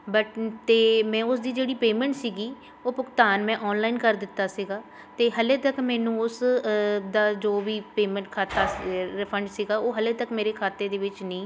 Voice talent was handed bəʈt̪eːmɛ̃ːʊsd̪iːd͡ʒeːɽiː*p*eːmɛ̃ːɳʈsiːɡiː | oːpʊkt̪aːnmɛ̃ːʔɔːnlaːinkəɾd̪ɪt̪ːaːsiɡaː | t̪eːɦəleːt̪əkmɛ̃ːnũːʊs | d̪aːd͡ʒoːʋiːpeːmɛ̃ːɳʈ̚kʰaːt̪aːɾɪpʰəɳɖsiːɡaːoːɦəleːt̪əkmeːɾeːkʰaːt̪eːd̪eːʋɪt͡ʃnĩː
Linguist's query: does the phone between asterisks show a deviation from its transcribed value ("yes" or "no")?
no